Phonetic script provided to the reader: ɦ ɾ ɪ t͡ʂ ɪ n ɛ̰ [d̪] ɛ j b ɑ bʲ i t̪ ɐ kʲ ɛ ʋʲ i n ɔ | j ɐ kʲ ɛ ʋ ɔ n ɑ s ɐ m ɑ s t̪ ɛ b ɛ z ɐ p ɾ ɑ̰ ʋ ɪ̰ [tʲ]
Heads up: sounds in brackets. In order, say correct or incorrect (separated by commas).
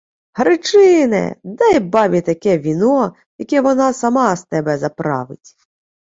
correct, correct